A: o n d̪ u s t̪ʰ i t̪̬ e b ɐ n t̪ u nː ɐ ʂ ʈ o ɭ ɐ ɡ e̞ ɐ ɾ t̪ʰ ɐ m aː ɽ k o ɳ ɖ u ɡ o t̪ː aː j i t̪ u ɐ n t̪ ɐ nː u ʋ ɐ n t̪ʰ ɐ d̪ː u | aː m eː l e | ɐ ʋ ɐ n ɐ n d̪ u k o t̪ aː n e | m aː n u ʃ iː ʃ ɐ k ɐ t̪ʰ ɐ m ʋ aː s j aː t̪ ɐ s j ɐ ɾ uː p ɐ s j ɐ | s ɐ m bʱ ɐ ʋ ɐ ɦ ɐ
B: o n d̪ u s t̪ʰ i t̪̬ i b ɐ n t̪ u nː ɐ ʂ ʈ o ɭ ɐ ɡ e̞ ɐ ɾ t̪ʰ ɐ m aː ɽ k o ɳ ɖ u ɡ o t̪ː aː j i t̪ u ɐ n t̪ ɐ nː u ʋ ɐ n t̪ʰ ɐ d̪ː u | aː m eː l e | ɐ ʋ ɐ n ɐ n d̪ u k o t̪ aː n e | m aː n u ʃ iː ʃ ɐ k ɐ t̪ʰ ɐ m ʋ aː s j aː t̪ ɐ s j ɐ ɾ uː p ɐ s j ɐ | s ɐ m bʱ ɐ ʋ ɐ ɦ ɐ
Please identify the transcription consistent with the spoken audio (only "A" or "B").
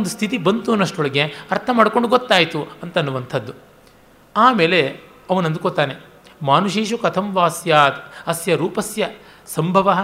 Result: B